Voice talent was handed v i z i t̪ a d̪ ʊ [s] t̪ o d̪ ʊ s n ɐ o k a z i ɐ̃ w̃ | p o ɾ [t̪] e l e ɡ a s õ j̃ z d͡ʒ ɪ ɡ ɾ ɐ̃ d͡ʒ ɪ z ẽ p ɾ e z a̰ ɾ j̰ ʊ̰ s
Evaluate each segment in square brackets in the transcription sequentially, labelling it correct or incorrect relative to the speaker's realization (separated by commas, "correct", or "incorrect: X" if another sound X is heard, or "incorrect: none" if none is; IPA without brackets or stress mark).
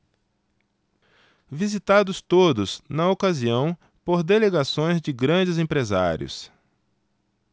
correct, incorrect: d̪